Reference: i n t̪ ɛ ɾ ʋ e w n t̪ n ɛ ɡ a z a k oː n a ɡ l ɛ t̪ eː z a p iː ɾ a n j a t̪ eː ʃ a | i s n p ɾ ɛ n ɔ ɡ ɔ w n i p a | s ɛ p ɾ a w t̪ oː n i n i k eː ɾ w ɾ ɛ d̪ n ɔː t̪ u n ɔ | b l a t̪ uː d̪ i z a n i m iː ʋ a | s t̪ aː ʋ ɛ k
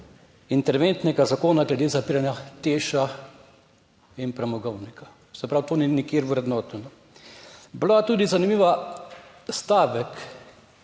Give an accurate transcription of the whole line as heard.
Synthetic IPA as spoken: i n t̪ ɛ ɾ ʋ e n t̪ n ɛ ɡ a z a k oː n a ɡ l ɛ d̪ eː z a p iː ɾ a n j a t̪ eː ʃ a | i n p ɾ ɛ m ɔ ɡ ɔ w n i k a | s ɛ p ɾ a w t̪ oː n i n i k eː ɾ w ɾ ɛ d̪ n ɔː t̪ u n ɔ | b l a t̪ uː d̪ i z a n i m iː ʋ a | s t̪ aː ʋ ɛ k